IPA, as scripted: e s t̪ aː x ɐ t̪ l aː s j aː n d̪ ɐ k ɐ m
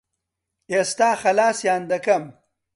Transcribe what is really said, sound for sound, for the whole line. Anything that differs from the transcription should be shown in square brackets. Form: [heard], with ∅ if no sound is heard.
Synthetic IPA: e s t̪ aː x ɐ [∅] l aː s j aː n d̪ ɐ k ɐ m